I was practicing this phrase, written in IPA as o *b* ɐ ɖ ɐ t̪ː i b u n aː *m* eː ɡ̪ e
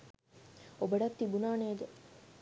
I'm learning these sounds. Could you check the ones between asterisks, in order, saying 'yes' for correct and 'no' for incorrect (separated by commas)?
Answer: yes, no